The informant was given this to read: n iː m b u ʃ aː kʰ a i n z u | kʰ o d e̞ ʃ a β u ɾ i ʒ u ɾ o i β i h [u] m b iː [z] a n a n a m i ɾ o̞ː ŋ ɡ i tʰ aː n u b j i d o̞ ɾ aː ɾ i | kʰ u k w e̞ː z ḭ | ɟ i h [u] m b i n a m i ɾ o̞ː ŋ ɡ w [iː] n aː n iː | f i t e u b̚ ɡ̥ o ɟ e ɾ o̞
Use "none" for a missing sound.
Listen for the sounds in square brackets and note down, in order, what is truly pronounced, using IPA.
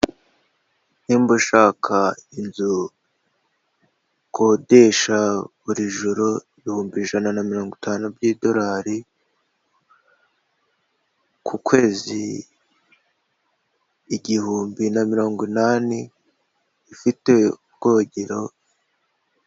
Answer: uː, ʒ, uː, i

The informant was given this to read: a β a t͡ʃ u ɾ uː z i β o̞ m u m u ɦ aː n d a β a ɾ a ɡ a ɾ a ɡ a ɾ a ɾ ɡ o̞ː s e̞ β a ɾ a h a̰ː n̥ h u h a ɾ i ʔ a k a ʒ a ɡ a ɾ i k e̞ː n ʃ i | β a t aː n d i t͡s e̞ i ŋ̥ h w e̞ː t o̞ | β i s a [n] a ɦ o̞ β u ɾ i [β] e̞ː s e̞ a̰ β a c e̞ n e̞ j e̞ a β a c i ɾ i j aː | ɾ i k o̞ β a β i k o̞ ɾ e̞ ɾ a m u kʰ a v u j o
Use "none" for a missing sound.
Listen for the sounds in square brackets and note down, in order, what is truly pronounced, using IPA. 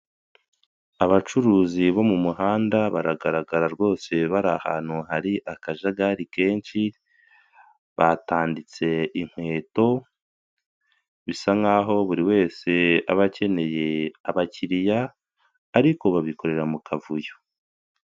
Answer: ŋ, w

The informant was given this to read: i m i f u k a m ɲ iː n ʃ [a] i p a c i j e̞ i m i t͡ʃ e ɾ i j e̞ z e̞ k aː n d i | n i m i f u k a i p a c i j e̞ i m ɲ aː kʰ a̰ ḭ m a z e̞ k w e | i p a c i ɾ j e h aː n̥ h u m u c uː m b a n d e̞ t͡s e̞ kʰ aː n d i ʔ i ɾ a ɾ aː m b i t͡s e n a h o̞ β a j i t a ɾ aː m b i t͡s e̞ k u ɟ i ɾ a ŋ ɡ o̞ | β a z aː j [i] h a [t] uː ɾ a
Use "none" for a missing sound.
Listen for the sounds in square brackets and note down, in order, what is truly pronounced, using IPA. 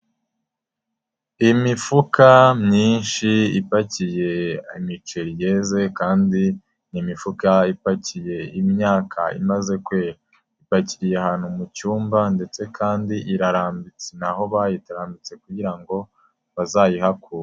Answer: i, i, k

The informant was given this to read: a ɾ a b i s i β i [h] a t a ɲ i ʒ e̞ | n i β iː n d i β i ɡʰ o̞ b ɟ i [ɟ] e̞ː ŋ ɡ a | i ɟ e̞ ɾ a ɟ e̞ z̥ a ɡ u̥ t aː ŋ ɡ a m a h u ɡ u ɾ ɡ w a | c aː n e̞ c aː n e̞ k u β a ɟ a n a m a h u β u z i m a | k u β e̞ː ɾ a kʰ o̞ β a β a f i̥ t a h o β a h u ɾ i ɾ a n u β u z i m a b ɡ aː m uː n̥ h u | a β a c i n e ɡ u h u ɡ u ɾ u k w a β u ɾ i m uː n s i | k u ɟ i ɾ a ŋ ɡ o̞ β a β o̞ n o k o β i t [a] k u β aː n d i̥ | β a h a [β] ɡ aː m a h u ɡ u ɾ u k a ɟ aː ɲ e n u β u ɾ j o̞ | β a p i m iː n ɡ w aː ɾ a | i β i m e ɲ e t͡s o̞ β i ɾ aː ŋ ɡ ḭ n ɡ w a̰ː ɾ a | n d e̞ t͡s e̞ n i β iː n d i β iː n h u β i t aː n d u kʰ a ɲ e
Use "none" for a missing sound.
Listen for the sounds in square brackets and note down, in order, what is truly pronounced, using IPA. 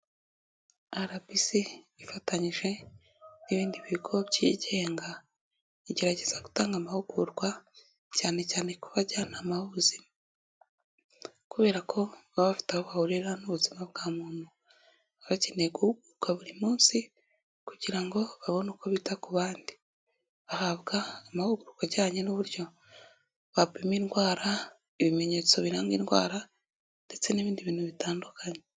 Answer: f, ɟ, a, β

